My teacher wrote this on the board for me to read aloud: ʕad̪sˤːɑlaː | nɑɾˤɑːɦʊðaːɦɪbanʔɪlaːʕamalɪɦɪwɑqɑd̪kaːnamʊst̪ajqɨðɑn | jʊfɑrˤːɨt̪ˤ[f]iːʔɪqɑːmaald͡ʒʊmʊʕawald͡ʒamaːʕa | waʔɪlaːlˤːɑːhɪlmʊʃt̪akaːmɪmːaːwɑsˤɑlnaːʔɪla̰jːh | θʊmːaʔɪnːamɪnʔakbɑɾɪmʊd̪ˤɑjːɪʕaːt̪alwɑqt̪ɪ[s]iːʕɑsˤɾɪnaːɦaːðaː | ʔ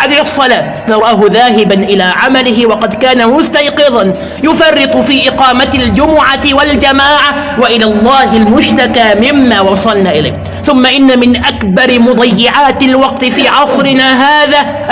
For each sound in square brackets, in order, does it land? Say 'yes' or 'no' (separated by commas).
yes, no